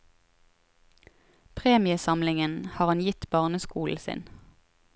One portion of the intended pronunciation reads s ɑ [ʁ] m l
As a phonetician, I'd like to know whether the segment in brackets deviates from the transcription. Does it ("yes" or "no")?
yes